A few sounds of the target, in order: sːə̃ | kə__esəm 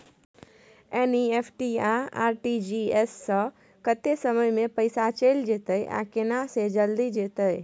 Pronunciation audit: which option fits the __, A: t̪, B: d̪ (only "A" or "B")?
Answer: A